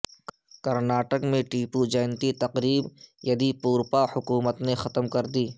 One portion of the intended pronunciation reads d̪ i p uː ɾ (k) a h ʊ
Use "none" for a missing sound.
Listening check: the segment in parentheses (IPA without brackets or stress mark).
p